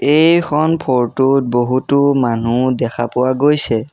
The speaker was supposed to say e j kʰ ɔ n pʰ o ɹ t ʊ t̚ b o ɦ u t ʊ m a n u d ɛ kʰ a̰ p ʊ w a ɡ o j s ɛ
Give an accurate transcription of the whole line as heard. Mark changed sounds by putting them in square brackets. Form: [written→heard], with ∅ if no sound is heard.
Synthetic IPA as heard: e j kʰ ɔ n pʰ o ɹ t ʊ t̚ b o ɦ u t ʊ m a n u d ɛ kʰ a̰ p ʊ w a ɡ o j s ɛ